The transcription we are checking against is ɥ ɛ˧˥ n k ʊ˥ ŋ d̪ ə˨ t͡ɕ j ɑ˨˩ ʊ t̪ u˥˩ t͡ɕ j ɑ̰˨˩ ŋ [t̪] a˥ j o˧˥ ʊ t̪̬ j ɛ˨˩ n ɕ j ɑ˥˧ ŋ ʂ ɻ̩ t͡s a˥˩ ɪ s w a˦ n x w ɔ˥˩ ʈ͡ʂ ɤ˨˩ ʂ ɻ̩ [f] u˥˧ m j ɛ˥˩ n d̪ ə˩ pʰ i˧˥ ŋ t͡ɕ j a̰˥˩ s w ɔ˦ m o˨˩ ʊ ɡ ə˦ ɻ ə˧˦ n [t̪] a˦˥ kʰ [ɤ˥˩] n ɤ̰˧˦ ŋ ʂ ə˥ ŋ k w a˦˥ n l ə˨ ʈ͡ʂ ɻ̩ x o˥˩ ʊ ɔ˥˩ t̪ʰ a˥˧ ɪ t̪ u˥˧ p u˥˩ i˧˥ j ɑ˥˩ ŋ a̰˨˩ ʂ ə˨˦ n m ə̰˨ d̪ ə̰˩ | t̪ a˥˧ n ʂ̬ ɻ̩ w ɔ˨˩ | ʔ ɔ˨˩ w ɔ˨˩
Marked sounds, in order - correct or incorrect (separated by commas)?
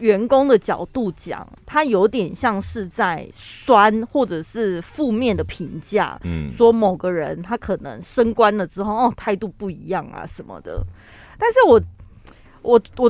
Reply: incorrect, correct, incorrect, incorrect